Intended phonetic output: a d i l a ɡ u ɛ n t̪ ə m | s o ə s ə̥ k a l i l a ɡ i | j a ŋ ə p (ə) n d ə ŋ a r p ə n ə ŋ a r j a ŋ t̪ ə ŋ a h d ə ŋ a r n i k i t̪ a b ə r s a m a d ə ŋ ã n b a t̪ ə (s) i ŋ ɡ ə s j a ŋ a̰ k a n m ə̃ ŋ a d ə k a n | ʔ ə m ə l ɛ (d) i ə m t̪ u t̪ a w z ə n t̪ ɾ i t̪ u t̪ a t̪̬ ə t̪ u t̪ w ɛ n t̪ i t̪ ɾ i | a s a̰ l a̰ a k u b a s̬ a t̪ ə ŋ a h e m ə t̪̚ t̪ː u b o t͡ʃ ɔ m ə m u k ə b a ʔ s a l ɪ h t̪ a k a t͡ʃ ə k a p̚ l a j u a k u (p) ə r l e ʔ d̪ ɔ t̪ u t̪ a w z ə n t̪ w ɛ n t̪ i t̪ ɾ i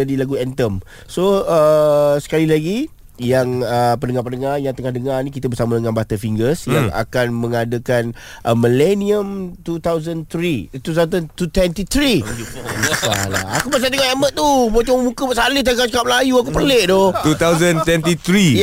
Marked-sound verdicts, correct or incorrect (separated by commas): correct, incorrect, incorrect, correct